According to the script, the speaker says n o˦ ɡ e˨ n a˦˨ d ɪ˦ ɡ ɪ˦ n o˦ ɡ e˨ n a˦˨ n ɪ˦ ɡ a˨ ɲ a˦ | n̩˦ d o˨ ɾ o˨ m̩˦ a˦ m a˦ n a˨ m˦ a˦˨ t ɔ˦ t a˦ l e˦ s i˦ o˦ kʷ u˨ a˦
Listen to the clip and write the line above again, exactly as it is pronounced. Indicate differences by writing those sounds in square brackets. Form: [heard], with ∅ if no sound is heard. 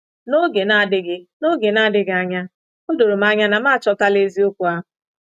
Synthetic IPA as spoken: n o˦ ɡ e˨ n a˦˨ d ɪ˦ ɡ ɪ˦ n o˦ ɡ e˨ n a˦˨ [d] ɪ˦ ɡ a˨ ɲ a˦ | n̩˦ d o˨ ɾ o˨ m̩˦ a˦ [ɲ] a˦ n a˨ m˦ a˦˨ [t͡ʃ] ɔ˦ t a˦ l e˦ [z] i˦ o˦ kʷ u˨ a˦